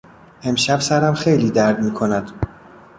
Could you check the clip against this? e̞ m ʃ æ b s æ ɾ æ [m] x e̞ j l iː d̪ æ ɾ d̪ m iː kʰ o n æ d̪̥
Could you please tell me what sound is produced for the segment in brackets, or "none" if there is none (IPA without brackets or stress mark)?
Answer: m